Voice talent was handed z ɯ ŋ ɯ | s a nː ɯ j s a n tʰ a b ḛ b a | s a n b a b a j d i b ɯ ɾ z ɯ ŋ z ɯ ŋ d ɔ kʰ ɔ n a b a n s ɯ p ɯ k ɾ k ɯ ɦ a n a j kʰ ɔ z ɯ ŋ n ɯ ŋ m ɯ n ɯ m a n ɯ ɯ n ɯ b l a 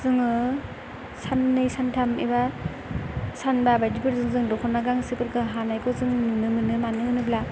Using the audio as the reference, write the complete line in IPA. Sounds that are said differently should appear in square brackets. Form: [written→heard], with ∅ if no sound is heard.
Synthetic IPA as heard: z ɯ ŋ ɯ | s a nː ɯ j s a n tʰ a [b→m] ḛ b a | s a n b a b a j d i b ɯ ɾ z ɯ ŋ z ɯ ŋ d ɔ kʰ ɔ n a [b→ɡ] a [n→ŋ] s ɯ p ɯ [k→∅] ɾ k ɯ ɦ a n a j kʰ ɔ z ɯ ŋ n ɯ [ŋ→∅] m ɯ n ɯ m a n ɯ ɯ n ɯ b l a